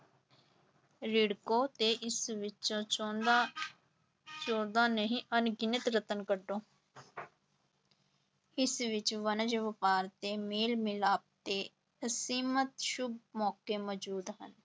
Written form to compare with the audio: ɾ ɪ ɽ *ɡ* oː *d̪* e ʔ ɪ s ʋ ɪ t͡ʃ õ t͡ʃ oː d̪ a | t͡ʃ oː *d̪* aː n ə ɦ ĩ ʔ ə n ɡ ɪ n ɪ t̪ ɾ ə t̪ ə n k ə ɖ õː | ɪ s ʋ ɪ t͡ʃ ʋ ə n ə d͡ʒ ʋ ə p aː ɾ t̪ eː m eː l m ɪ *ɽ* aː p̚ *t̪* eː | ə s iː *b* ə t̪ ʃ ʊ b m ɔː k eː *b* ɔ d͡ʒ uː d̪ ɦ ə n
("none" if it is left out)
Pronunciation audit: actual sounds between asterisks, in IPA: k, t̪, d̪, l, t̪, m, m

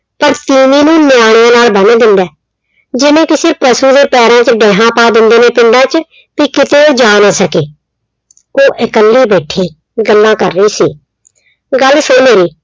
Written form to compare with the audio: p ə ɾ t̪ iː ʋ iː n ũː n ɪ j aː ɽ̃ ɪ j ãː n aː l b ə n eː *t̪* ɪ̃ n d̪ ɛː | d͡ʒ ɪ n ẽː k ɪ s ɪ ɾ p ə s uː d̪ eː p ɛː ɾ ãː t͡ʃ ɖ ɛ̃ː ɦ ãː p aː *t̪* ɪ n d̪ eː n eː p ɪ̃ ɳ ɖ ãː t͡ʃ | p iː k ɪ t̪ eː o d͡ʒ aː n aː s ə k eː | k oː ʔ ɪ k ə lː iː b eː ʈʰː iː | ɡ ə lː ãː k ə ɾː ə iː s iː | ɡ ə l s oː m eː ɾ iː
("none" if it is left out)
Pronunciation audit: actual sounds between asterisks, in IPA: d̪, d̪

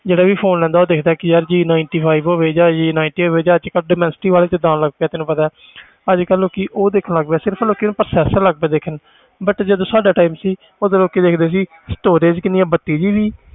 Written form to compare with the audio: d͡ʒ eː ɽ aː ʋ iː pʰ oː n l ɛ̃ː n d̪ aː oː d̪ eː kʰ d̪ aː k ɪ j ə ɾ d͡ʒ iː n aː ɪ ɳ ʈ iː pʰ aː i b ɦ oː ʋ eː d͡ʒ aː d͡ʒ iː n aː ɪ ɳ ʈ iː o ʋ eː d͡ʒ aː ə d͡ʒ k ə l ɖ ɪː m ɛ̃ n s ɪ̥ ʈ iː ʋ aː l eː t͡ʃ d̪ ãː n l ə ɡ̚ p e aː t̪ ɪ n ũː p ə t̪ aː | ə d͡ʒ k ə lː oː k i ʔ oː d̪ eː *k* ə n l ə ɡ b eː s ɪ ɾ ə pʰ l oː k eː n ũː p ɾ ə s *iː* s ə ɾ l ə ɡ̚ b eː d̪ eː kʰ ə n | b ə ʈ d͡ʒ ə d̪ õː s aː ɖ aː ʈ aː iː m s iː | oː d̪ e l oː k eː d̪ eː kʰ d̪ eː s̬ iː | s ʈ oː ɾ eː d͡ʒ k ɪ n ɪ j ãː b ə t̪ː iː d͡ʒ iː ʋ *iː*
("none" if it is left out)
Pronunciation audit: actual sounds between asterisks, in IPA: kʰ, ɛː, iː

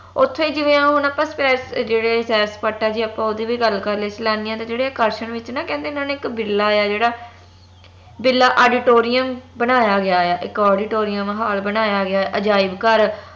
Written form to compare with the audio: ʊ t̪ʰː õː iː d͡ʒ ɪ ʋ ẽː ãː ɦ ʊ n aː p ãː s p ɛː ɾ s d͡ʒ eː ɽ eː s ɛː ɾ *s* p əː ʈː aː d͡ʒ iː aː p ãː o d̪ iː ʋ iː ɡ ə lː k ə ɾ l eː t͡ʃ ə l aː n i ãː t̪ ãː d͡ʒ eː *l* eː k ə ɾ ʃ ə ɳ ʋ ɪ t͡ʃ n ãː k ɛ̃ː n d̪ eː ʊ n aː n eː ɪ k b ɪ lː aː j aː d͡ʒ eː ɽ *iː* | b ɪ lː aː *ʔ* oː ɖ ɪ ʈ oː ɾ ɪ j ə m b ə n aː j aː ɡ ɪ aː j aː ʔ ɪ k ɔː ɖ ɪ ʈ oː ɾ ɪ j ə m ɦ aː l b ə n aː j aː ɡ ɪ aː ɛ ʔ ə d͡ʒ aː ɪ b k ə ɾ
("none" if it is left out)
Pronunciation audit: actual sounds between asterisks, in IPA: s, ɽ, aː, ʔ

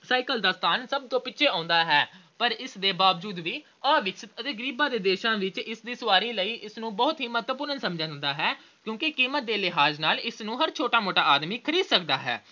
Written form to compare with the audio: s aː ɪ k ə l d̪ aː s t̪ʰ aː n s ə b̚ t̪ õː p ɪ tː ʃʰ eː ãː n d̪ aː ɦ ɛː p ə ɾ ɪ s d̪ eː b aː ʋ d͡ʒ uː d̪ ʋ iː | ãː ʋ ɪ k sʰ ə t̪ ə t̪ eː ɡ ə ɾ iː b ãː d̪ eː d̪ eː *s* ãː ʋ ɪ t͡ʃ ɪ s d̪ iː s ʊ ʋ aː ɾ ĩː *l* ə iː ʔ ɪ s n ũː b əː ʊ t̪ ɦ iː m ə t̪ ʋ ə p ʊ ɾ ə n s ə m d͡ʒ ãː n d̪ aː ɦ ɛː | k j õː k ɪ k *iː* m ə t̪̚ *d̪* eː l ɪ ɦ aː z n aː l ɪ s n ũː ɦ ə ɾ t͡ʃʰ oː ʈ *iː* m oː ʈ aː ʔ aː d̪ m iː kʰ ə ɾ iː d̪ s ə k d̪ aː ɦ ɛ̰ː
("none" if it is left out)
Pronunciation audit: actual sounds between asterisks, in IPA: ʃ, l, iː, d̪, aː

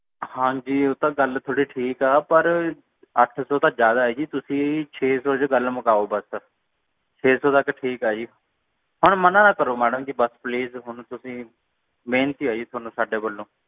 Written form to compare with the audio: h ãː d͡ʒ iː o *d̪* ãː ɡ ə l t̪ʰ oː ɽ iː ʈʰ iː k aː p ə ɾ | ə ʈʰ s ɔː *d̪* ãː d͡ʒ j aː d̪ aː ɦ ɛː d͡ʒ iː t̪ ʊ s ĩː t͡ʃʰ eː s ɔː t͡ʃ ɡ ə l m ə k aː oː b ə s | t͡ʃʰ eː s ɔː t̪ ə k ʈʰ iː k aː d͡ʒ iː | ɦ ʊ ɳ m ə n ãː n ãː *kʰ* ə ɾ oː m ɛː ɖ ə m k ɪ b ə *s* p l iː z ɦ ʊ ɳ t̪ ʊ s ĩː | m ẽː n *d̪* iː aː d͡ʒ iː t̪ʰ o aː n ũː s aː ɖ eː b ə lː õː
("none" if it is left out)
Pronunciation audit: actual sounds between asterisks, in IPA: t̪, t̪, k, s, t̪

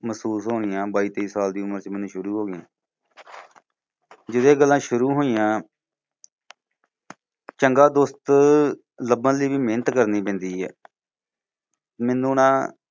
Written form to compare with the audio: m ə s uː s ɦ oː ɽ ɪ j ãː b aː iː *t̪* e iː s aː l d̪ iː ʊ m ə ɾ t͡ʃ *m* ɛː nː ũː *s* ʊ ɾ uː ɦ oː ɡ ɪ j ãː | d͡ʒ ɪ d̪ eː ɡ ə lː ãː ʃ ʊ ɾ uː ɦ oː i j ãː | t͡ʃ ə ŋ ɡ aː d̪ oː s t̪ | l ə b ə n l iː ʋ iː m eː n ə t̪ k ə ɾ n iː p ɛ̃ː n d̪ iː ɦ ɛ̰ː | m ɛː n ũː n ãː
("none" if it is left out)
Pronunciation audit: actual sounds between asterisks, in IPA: t̪, m, ʃ

